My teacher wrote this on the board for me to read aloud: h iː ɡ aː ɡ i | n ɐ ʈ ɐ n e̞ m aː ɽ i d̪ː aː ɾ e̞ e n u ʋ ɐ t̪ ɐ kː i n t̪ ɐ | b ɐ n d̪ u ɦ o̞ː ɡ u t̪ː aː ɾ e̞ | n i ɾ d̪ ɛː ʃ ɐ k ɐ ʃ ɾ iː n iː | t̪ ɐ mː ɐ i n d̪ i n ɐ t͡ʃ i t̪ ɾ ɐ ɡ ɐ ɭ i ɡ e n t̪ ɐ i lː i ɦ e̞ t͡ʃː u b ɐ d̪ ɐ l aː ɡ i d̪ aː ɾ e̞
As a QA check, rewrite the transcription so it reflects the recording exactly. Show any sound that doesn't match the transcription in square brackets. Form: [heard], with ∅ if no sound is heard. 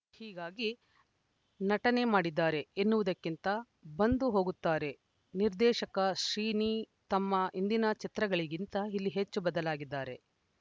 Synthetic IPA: h iː ɡ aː ɡ i | n ɐ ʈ ɐ n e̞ m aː ɽ i d̪ː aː ɾ e̞ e [nː] u ʋ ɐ [d̪] ɐ kː i n t̪ ɐ | b ɐ n d̪ u ɦ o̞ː ɡ u t̪ː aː ɾ e̞ | n i ɾ d̪ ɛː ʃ ɐ k ɐ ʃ ɾ iː n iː | t̪ ɐ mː ɐ i n d̪ i n ɐ t͡ʃ i t̪ ɾ ɐ ɡ ɐ ɭ i ɡ [i] n t̪ ɐ i lː i ɦ e̞ t͡ʃː u b ɐ d̪ ɐ l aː ɡ i [d̪ː] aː ɾ e̞